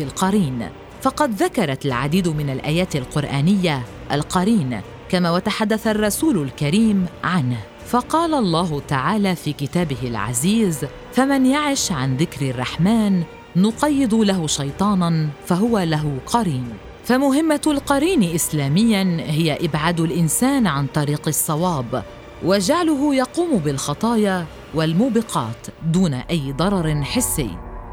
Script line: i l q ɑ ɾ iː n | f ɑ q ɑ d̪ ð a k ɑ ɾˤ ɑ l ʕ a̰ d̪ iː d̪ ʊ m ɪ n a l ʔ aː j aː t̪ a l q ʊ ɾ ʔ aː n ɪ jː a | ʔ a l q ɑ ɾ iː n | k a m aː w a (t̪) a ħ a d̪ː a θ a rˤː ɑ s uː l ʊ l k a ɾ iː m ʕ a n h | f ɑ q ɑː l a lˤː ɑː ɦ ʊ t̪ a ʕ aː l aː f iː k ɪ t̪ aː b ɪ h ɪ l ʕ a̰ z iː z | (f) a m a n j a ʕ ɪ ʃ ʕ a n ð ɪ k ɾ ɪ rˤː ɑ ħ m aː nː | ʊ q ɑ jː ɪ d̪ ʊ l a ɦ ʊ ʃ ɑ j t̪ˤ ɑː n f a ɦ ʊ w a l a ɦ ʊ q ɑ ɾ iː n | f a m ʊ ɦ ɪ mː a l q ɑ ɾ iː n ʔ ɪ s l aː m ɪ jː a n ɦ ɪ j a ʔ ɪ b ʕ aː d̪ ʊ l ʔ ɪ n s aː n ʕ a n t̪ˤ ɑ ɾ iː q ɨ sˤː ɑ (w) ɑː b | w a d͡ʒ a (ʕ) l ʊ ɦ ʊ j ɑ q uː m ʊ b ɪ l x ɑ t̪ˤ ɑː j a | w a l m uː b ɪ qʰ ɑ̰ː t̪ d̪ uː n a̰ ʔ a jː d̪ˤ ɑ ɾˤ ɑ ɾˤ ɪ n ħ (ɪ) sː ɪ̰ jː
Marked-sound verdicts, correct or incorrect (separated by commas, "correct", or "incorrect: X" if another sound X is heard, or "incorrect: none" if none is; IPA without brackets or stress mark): correct, correct, correct, correct, correct